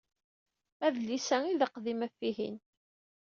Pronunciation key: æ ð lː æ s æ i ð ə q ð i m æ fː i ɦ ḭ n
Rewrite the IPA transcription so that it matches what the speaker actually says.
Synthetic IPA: æ ð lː i s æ i ð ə q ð i m æ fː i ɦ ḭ n